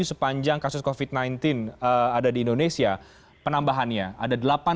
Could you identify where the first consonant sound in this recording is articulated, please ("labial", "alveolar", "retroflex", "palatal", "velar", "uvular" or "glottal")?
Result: alveolar